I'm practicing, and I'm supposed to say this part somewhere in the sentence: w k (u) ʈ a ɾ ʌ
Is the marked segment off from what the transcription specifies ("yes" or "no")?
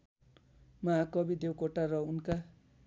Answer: yes